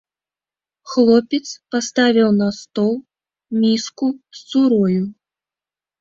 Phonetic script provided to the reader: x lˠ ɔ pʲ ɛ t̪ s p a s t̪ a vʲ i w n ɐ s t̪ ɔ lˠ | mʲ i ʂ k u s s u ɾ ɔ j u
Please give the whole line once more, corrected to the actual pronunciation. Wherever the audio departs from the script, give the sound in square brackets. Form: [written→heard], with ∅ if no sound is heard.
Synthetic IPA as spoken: x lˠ ɔ pʲ ɛ t̪ s p a s t̪ a vʲ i w n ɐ s t̪ ɔ lˠ | mʲ i [ʂ→s] k u s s u ɾ ɔ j u